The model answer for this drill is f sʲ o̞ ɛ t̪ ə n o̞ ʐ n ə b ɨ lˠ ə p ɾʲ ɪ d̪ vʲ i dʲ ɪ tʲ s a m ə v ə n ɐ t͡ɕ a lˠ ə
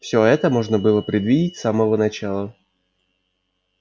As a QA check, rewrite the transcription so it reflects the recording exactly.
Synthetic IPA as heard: f sʲ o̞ ɛ t̪ ə m o̞ ʐ n ə b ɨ lˠ ə p ɾʲ ɪ d̪ vʲ i dʲ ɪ tʲ s a m ə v ə n ɐ t͡ɕ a lˠ ə